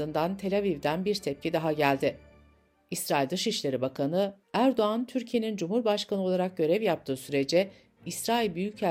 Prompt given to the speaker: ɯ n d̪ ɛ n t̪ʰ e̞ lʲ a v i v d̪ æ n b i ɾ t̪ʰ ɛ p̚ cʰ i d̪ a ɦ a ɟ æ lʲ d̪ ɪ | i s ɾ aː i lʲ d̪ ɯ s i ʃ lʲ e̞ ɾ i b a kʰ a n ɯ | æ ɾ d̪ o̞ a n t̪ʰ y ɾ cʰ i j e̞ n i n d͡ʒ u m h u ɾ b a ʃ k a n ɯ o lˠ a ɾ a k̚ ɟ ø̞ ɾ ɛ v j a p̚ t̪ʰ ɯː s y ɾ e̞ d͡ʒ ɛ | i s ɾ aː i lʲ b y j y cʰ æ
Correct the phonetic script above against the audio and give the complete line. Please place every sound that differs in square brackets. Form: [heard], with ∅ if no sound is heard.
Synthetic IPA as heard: ɯ n d̪ [a] n t̪ʰ e̞ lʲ a v i v d̪ æ n b i ɾ t̪ʰ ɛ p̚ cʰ i d̪ a ɦ a ɟ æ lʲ d̪ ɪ | i s ɾ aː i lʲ d̪ ɯ [ʃ] i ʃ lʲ e̞ ɾ i b a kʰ a n ɯ | æ ɾ d̪ o̞ a n t̪ʰ y ɾ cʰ i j e̞ n i n d͡ʒ u m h u ɾ b a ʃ k a n ɯ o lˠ a ɾ a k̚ ɟ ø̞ ɾ ɛ v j a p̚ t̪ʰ ɯː s y ɾ e̞ d͡ʒ ɛ | i s ɾ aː i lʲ b y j y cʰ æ